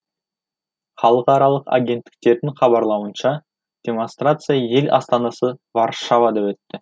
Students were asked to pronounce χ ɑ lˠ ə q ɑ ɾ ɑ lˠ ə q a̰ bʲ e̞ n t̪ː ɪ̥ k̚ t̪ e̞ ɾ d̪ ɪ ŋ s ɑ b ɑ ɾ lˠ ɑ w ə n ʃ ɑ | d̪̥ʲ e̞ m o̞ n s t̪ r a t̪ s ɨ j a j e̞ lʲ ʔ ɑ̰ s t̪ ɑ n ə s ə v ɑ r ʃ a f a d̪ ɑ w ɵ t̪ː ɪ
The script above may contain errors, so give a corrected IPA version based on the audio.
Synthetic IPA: χ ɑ lˠ ə q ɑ ɾ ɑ lˠ ə q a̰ ɡʲ e̞ n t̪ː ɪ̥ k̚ t̪ e̞ ɾ d̪ ɪ ŋ χ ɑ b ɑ ɾ lˠ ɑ w ə n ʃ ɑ | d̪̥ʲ e̞ m o̞ n s t̪ r a t̪ s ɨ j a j e̞ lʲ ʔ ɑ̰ s t̪ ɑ n ɑ s ə v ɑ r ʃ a v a d̪ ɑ w ɵ t̪ː ɪ